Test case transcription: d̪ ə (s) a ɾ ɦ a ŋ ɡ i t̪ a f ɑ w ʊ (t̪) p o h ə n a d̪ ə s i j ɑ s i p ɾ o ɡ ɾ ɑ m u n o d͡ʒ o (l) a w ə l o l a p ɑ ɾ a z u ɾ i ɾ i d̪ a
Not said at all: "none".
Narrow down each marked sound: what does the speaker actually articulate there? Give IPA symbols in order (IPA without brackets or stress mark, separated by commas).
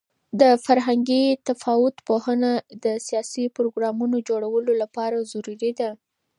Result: f, t̪, ɽ